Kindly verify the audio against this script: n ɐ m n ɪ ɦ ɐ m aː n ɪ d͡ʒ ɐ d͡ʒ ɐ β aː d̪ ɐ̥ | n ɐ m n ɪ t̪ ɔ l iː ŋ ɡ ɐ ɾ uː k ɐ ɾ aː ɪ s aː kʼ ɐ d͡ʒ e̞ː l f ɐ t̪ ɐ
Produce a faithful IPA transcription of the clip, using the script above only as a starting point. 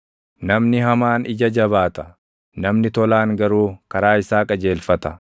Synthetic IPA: n ɐ m n ɪ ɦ ɐ m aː n ɪ d͡ʒ ɐ d͡ʒ ɐ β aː t̪ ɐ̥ | n ɐ m n ɪ t̪ ɔ l aː ŋ ɡ ɐ ɾ uː k ɐ ɾ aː ɪ s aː kʼ ɐ d͡ʒ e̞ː l f ɐ t̪ ɐ